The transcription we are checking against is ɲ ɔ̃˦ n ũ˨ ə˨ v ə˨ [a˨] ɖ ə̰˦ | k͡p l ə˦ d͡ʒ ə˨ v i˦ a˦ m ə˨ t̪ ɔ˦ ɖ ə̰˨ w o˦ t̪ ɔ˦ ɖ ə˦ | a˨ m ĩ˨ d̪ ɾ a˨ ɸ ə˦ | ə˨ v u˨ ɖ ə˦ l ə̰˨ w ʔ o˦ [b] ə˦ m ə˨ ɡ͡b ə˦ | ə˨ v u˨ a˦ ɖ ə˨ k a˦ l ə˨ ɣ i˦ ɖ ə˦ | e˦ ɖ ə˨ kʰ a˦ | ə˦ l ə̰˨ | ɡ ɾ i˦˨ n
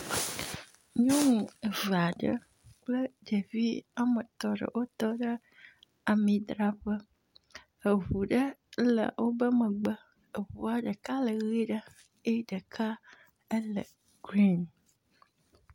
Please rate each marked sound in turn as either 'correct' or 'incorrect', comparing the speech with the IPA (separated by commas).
correct, correct